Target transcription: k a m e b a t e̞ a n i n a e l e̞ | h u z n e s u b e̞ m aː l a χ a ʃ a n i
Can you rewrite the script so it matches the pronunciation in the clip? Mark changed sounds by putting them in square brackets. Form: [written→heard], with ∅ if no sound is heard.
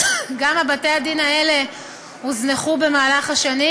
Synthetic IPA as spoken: [k→ɡ] a m [e→a] b a t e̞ a [n→d] i n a e l e̞ | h u z n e [s→χ] u b e̞ m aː l a χ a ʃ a n i